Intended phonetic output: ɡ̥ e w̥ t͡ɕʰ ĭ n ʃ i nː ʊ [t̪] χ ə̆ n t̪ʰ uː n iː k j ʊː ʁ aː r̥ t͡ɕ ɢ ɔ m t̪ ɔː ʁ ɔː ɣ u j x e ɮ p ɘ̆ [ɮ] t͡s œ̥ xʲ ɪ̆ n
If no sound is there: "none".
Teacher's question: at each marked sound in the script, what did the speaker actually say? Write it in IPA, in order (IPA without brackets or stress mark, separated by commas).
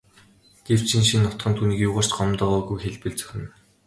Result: t̪, ɮ